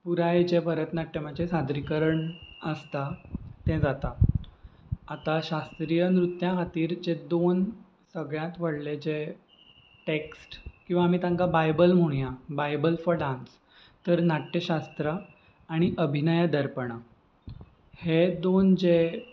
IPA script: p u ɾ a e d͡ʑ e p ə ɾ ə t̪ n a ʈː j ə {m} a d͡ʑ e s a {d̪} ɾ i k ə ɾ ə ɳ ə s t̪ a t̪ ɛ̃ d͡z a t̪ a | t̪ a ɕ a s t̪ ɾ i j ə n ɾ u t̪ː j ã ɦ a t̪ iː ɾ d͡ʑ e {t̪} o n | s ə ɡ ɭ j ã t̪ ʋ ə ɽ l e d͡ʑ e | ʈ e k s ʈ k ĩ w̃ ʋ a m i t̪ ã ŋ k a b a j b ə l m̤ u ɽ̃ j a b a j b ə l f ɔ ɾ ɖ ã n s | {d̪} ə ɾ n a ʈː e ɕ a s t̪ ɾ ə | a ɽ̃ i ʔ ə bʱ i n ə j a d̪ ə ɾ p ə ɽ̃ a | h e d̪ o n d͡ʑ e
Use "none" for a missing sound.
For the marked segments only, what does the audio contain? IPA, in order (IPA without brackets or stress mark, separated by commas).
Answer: m, d̪, d̪, t̪